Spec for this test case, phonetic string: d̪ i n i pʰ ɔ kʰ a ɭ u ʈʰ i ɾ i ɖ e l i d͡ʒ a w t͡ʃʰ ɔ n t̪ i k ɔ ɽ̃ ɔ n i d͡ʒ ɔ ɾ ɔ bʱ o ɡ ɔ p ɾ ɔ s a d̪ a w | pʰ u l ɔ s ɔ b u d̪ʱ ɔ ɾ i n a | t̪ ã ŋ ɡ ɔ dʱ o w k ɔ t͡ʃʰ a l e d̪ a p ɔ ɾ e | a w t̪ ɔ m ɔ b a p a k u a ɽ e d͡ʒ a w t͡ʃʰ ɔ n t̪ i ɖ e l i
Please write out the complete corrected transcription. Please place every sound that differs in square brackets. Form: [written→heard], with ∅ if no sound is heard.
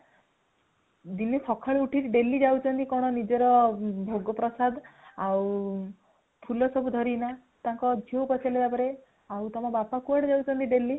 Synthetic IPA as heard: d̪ i n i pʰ ɔ kʰ a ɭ u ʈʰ i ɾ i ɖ e l i d͡ʒ a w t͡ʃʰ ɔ n t̪ i k ɔ ɽ̃ ɔ n i d͡ʒ ɔ ɾ ɔ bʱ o ɡ ɔ p ɾ ɔ s a d̪ a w | pʰ u l ɔ s ɔ b u d̪ʱ ɔ ɾ i n a | t̪ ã ŋ [ɡ→k] ɔ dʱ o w [k→p] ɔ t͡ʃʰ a l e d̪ a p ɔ ɾ e | a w t̪ ɔ m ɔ b a p a k u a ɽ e d͡ʒ a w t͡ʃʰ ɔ n t̪ i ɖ e l i